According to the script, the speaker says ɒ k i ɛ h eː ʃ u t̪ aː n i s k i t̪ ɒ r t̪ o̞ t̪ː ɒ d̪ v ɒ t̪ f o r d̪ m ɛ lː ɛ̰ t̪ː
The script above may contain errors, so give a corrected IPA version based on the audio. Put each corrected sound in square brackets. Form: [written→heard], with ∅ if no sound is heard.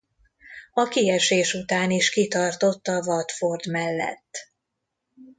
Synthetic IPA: ɒ k i ɛ [h→ʃ] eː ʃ u t̪ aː n i [s→ʃ] k i t̪ ɒ r t̪ o̞ t̪ː ɒ [d̪→∅] v ɒ t̪ f o r d̪ m ɛ lː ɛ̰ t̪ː